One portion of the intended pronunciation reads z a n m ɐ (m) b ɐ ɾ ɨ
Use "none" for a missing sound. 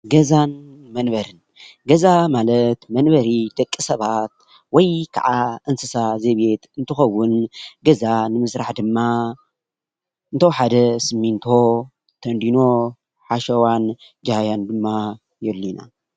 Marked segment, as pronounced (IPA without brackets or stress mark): n